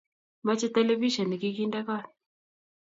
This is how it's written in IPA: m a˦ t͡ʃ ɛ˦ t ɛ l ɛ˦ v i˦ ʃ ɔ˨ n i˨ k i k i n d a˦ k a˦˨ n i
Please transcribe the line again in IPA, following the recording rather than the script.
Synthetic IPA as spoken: m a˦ t͡ʃ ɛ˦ t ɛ l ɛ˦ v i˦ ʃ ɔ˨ n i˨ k i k i n d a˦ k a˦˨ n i